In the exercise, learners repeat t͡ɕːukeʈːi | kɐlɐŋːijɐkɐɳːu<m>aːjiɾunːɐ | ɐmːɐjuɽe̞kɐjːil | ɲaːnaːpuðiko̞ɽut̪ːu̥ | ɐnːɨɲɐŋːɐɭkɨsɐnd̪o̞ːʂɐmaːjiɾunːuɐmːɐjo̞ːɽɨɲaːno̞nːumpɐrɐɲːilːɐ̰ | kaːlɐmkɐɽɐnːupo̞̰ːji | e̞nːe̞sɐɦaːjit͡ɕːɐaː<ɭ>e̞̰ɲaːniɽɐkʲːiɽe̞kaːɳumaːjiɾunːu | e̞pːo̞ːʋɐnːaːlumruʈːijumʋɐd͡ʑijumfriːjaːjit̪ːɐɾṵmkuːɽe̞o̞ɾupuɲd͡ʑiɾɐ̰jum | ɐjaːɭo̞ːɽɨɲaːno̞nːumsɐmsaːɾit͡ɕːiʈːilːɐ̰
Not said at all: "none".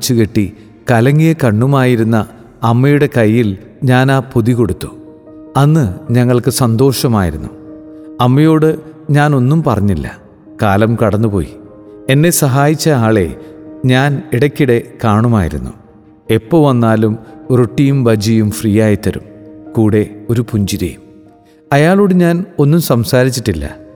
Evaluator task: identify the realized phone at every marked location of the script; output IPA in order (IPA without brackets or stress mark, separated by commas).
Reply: m, ɭ